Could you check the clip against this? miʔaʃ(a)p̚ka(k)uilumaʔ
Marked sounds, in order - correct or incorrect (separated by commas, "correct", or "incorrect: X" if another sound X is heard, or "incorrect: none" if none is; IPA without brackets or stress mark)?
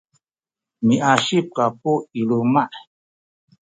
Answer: incorrect: i, incorrect: p